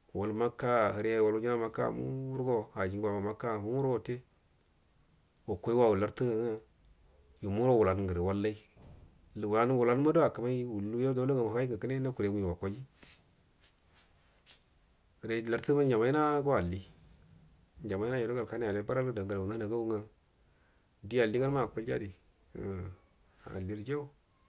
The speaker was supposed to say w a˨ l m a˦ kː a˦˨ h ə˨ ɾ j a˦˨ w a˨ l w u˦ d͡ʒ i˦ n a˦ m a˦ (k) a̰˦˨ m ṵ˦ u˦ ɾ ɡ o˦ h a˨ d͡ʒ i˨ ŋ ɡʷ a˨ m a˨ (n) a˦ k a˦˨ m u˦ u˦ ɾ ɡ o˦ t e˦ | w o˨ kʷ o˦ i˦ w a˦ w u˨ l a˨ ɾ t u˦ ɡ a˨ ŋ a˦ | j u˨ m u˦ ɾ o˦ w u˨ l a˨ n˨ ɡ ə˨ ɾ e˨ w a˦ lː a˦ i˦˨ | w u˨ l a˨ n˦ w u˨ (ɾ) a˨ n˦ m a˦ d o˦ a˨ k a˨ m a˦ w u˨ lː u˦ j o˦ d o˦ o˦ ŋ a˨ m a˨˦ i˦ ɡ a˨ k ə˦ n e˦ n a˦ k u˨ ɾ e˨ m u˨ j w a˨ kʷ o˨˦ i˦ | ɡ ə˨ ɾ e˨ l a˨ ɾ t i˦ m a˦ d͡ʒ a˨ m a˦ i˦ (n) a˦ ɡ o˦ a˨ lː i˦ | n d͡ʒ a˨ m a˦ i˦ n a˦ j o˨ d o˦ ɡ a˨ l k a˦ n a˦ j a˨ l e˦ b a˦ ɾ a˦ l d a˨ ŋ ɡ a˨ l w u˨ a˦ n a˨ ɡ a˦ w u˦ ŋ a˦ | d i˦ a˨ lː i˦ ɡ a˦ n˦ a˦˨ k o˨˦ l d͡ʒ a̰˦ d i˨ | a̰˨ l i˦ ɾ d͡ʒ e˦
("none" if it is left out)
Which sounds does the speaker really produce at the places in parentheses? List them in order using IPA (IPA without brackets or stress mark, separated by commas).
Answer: k, m, l, n